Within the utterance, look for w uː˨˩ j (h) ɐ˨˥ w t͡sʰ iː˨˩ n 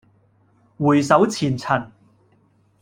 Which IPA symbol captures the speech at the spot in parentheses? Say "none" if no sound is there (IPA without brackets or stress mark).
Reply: s